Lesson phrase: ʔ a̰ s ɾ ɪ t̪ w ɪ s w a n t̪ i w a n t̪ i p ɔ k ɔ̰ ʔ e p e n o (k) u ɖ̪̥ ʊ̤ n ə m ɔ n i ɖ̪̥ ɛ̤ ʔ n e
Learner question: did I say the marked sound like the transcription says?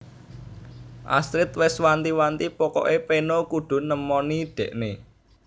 yes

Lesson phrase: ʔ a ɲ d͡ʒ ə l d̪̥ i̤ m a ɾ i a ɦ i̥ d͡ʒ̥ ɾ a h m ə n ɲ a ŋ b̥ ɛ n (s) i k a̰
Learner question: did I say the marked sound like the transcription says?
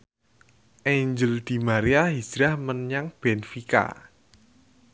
no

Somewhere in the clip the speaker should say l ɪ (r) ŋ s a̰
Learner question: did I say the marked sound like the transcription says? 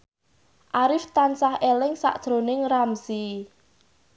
no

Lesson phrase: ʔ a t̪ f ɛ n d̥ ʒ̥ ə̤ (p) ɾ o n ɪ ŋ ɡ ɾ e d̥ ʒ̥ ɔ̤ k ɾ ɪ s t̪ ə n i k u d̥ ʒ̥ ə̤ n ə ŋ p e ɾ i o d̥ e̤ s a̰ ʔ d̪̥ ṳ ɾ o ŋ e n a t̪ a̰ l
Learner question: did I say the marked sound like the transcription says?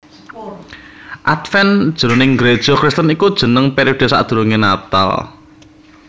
no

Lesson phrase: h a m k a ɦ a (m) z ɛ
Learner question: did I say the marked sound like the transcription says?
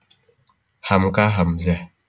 yes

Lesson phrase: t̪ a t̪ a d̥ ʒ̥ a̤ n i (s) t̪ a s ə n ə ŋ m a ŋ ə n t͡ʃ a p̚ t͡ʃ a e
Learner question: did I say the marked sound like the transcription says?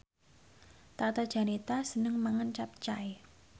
no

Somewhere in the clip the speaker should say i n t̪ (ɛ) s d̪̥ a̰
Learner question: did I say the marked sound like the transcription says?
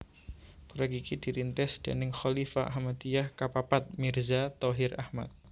yes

